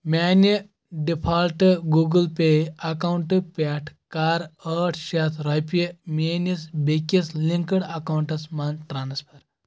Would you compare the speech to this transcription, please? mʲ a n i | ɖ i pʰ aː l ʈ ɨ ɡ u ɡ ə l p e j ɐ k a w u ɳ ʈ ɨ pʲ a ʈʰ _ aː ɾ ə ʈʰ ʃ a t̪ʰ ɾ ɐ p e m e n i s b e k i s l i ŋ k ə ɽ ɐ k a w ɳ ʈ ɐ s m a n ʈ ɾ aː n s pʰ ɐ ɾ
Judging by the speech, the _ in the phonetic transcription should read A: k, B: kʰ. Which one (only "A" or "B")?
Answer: A